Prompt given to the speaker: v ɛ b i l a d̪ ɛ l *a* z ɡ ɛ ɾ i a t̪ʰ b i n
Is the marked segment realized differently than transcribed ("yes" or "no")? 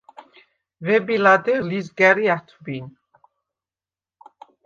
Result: yes